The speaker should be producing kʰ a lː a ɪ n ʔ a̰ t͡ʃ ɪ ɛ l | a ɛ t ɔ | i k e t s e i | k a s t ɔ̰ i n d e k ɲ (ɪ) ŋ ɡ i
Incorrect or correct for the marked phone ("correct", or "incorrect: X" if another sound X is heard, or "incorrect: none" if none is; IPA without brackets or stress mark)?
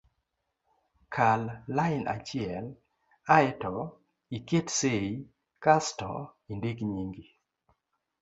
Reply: incorrect: i